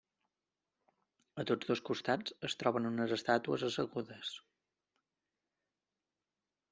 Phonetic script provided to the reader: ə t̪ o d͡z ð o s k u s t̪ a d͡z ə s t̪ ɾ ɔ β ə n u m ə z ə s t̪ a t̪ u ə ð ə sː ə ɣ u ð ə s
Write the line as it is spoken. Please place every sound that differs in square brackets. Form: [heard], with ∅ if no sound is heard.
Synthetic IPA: ə t̪ o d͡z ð o s k u s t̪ a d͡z ə s t̪ ɾ ɔ β ə n u [n] ə z ə s t̪ a t̪ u ə [z] ə [s] ə ɣ u ð ə s

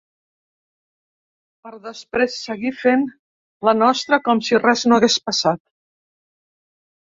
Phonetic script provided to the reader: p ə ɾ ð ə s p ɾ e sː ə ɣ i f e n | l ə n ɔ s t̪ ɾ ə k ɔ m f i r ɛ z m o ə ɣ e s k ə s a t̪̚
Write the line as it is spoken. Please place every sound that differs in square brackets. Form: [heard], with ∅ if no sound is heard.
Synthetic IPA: p ə ɾ ð ə s p ɾ e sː ə ɣ i f e n | l ə n ɔ s t̪ ɾ ə k ɔ m [s] i r ɛ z [n] o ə ɣ e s [p] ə s a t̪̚

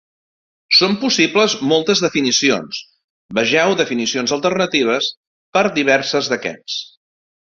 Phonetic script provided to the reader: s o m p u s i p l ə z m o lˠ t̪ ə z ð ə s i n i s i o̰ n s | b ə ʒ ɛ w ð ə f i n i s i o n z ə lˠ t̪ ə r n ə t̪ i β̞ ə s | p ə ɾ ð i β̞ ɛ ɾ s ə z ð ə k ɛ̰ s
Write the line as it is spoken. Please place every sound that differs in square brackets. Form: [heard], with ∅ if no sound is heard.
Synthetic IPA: s o m p u s i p l ə z m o lˠ t̪ ə z ð ə [f] i n i s i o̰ n s | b ə ʒ ɛ w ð ə f i n i s i o n z ə lˠ t̪ ə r n ə t̪ i β̞ ə s | p ə ɾ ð i β̞ ɛ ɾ s ə z ð ə k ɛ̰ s

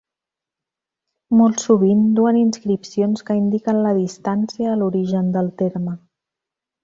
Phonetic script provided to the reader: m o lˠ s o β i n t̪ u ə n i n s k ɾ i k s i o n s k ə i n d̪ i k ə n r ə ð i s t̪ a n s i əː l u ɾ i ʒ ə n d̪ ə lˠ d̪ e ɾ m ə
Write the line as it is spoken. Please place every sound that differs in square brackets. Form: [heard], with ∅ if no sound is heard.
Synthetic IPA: m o lˠ s [u] β i n [d̪] u ə n i n s k ɾ i [p] s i o n s k ə i n d̪ i k ə n [l] ə ð i s t̪ a n s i əː l u ɾ i ʒ ə n d̪ ə lˠ [t̪] e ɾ m ə

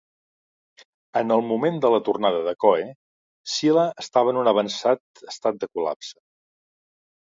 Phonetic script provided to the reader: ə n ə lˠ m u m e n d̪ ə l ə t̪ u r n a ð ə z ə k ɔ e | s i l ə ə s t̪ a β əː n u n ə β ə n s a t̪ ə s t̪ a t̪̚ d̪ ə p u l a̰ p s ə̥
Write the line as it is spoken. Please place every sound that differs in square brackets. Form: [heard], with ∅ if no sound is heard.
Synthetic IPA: ə n ə lˠ m u m e n d̪ ə l ə t̪ u r n a ð ə [ð] ə k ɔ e | s i l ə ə s t̪ a β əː n u n ə β ə n s a t̪ ə s t̪ a t̪̚ d̪ ə [k] u l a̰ p s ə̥

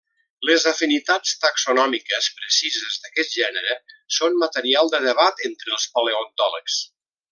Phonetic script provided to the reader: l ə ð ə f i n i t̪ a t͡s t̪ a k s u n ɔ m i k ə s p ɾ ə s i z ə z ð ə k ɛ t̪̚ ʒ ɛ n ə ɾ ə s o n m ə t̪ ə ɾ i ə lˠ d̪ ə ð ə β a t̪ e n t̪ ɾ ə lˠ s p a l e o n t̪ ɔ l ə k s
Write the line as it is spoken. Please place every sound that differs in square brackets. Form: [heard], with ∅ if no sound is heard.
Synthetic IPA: l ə [z] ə f i n i t̪ a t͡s t̪ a k s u n ɔ m i k ə s p ɾ ə s i z ə z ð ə k ɛ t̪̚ ʒ ɛ n ə ɾ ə s o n m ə t̪ ə ɾ i [a] lˠ d̪ ə ð ə β a t̪ e n t̪ ɾ ə lˠ s p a l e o n t̪ ɔ l ə k s

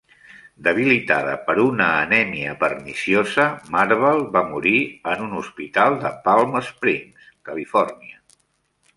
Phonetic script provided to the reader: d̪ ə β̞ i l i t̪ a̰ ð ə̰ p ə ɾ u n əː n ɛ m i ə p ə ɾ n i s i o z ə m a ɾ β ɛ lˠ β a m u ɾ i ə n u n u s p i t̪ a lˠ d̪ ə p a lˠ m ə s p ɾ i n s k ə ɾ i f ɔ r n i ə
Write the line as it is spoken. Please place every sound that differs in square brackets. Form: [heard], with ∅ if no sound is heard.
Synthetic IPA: d̪ ə β̞ i l i t̪ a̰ ð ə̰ p ə ɾ u n əː n ɛ m i ə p ə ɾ n i s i o z ə m a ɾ β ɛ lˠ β a m u ɾ i ə n u n u s p i t̪ a lˠ d̪ ə p a lˠ m ə s p ɾ i n s k ə [l] i f ɔ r n i ə

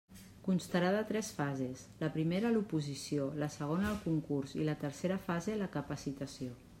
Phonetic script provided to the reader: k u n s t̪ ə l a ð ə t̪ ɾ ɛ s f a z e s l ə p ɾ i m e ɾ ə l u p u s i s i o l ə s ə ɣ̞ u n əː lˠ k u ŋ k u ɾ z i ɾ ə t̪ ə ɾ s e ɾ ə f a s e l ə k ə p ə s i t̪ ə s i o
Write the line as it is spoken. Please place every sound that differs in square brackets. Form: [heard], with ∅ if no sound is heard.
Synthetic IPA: k u n s t̪ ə [ɾ] a ð ə t̪ ɾ ɛ s f a z e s l ə p ɾ i m e ɾ ə l u p u [z] i s i o l ə s ə ɣ̞ [o] n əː lˠ k u ŋ k u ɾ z i [l] ə t̪ ə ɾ s e ɾ ə f a [z] e l ə k ə p ə s i t̪ ə s i o

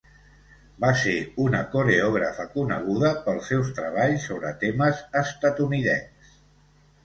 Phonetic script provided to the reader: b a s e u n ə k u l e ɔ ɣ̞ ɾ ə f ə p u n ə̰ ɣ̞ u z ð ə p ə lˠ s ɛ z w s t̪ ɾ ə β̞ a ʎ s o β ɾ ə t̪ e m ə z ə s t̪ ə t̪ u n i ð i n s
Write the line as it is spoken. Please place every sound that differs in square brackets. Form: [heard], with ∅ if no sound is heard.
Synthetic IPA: b a s e u n ə k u [ɾ] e ɔ ɣ̞ ɾ ə f ə [k] u n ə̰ ɣ̞ u [∅] ð ə p ə lˠ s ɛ [∅] w s t̪ ɾ ə β̞ a ʎ s o β ɾ ə t̪ e m ə z ə s t̪ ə t̪ u n i ð [ɛ] n s

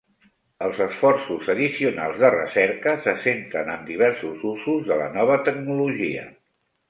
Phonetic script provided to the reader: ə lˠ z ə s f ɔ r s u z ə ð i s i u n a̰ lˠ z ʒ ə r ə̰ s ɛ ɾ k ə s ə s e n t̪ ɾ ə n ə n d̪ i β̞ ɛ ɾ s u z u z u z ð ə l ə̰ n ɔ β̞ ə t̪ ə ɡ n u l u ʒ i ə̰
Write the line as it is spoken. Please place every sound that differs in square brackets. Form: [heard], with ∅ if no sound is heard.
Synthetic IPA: ə lˠ z ə s f ɔ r s u z ə ð i s i u n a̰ lˠ z [ð] ə r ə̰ s ɛ ɾ k ə s ə s e n t̪ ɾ ə n ə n d̪ i β̞ ɛ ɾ s u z u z u z ð ə l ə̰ n ɔ β̞ ə t̪ ə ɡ n u l u ʒ i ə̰

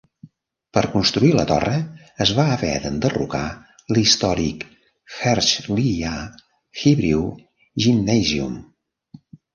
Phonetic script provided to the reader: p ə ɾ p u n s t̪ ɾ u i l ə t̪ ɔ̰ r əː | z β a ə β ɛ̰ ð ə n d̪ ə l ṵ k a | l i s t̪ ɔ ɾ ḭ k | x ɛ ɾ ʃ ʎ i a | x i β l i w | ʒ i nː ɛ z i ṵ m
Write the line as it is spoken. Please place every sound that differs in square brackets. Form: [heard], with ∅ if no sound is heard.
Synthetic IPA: p ə ɾ [k] u n s t̪ ɾ u i l ə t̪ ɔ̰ r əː | z β a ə β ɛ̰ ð ə n d̪ ə [r] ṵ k a | l i s t̪ ɔ ɾ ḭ k | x ɛ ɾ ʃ [l] i a | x i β [ɾ] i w | ʒ i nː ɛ z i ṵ m

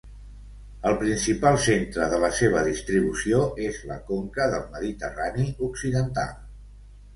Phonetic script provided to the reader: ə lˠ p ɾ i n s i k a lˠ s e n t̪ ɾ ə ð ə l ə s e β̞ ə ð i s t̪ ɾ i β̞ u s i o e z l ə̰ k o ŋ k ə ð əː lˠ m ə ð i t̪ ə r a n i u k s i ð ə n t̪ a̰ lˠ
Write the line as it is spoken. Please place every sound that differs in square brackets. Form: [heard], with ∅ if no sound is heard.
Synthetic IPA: ə lˠ p ɾ i n s i [p] a lˠ s e n t̪ ɾ ə ð ə l ə s e β̞ ə ð i s t̪ ɾ i β̞ u s i o e z l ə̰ k o ŋ k ə ð [ə] lˠ m ə ð i t̪ ə r a n i u k s i ð ə n t̪ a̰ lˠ

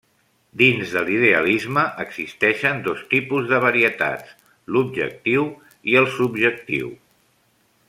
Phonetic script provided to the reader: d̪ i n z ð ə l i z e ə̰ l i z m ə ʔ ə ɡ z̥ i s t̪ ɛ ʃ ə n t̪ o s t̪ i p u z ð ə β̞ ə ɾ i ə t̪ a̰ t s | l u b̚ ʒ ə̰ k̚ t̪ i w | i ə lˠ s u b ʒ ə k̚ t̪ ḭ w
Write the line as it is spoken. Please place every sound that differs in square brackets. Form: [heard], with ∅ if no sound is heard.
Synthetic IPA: d̪ i n z ð ə l i [ð] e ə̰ l i z m ə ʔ ə ɡ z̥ i s t̪ ɛ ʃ ə n [d̪] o s t̪ i p u z ð ə β̞ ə ɾ i ə t̪ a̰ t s | l u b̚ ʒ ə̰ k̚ t̪ i w | i ə lˠ s u b ʒ ə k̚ t̪ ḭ w

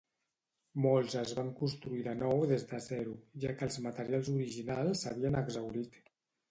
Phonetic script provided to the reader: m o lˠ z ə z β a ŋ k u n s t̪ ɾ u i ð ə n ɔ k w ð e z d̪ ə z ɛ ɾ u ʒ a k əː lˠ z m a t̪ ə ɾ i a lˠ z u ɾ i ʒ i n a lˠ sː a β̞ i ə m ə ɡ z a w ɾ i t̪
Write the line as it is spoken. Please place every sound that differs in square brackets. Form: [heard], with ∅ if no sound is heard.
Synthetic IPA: m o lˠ z ə z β a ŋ k u n s t̪ ɾ u i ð ə n ɔ [∅] w ð e z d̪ ə z ɛ ɾ u ʒ a k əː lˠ z m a t̪ ə ɾ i a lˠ z u ɾ i ʒ i n a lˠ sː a β̞ i ə [n] ə ɡ z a w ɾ i t̪

